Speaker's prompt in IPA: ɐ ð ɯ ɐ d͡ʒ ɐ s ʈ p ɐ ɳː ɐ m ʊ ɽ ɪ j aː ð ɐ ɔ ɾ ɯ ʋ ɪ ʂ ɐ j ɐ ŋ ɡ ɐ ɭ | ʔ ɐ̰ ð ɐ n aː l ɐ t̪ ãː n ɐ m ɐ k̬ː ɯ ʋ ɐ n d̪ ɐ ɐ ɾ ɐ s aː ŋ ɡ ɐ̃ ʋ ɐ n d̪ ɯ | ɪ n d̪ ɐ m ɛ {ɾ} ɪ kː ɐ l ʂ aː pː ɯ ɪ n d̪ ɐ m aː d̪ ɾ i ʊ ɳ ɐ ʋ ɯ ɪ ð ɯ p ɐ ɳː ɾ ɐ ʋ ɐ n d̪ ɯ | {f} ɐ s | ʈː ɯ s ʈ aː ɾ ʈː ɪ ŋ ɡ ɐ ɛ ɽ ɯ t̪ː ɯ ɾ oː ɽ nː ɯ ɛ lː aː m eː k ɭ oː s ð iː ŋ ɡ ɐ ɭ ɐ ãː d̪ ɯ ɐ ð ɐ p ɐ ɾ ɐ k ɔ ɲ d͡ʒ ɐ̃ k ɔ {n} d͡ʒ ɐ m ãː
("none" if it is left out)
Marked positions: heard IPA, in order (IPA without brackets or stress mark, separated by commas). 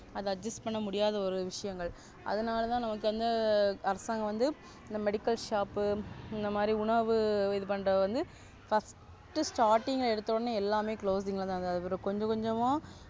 ɽ, f, ɲ